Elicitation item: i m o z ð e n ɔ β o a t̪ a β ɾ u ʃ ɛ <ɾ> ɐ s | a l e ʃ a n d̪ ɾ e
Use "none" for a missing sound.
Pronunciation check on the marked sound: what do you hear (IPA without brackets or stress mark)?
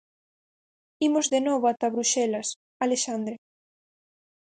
l